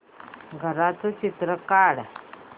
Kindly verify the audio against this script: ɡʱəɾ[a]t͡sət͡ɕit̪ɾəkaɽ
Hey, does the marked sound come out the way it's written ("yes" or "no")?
yes